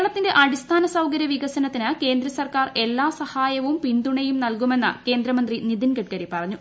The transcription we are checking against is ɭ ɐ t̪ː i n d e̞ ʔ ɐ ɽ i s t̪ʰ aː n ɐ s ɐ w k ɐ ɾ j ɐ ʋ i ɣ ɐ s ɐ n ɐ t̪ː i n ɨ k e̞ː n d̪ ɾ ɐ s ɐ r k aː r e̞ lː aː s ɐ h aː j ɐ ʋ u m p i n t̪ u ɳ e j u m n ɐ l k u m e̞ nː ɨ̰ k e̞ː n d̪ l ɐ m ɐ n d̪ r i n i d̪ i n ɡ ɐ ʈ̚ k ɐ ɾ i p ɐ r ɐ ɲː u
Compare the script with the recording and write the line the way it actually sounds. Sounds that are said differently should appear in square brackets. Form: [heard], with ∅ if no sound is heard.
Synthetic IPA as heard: ɭ ɐ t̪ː i n d e̞ ʔ ɐ ɽ i s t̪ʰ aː n ɐ s ɐ w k ɐ ɾ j ɐ ʋ i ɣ ɐ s ɐ n ɐ t̪ː i n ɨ k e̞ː n d̪ ɾ ɐ s ɐ r k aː r e̞ lː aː s ɐ h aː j ɐ ʋ u m p i n [d̪] u ɳ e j u m n ɐ l k u m e̞ nː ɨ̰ k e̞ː n d̪ [ɾ] ɐ m ɐ n d̪ r i n i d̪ i n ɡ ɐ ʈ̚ k ɐ ɾ i p ɐ r ɐ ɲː u